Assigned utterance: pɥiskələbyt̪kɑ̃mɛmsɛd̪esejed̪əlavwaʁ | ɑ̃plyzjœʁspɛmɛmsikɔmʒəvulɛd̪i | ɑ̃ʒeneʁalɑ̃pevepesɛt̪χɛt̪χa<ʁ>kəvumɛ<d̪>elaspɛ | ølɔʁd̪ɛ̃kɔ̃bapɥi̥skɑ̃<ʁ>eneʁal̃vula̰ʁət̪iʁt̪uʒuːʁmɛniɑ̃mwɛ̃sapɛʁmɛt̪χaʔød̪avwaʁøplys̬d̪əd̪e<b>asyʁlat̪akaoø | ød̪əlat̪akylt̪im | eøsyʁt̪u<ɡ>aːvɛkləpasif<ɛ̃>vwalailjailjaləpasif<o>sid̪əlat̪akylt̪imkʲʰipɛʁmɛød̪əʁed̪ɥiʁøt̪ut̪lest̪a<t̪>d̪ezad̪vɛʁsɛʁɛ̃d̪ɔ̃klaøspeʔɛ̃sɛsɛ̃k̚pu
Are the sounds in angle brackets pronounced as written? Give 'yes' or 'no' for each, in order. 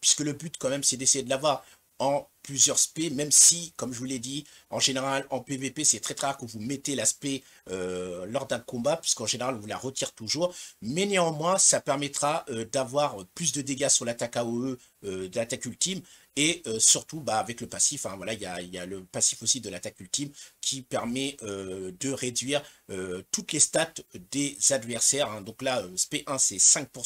yes, no, no, no, no, yes, yes, yes

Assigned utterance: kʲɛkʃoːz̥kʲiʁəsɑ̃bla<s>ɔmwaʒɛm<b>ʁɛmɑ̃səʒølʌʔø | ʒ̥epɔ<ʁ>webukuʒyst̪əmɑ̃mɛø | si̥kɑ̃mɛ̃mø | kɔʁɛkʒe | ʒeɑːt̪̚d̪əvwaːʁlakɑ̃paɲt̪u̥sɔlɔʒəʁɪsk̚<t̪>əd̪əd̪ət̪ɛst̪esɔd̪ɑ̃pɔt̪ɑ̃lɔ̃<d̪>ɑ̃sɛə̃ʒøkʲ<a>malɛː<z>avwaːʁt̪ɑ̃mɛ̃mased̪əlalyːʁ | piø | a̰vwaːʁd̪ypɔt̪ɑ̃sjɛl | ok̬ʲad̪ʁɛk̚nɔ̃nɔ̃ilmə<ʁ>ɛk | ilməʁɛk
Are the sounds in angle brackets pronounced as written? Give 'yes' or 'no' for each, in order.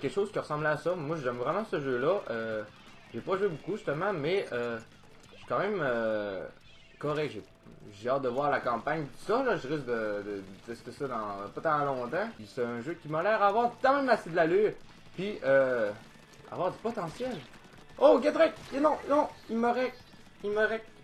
yes, no, no, no, no, no, no, yes

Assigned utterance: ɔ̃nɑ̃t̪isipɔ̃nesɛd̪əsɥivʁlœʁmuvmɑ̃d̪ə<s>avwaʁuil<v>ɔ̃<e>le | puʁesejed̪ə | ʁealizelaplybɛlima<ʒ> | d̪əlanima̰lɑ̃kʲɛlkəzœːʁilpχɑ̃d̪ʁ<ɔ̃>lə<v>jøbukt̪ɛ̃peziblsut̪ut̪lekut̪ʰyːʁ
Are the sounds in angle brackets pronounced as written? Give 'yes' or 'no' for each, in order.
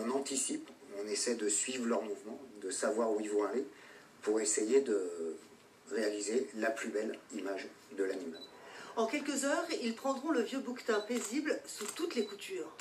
yes, yes, no, yes, yes, yes

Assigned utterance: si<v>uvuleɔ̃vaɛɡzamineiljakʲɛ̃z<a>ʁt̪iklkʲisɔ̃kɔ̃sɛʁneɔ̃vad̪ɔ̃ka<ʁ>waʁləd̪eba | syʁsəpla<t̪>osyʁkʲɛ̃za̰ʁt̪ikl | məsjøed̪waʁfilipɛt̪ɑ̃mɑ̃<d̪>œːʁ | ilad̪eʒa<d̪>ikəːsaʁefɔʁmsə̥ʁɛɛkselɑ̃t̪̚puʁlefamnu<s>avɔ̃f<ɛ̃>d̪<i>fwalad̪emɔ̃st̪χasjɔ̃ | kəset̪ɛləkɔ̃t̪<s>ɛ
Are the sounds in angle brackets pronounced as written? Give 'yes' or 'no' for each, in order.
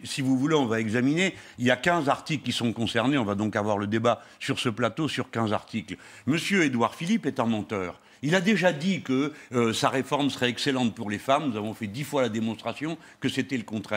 yes, yes, no, yes, no, yes, no, no, yes, no

